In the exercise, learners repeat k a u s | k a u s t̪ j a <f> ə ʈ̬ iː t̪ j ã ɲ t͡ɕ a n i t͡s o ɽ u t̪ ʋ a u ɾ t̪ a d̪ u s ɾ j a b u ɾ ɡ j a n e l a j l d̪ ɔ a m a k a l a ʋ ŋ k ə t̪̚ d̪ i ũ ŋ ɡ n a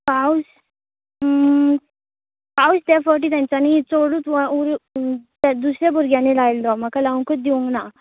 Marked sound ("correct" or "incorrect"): correct